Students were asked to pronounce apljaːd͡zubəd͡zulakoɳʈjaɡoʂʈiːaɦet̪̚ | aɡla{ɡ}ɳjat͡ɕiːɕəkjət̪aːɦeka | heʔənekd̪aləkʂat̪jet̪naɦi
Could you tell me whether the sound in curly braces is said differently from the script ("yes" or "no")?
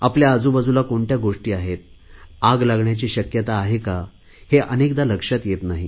no